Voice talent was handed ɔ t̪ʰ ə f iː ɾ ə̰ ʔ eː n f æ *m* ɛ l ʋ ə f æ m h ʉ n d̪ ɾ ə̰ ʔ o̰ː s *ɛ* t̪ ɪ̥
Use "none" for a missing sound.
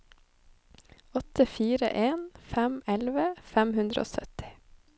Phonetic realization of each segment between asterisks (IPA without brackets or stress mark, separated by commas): m, œ